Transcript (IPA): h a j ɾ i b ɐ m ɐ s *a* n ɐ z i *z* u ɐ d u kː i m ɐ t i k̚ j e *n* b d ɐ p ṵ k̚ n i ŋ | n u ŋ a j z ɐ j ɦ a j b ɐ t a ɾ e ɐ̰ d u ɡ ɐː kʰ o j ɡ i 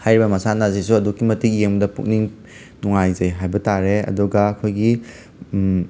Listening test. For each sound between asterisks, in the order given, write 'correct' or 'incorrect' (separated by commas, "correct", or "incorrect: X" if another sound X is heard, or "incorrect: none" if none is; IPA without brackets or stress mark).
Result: correct, incorrect: s, incorrect: ŋ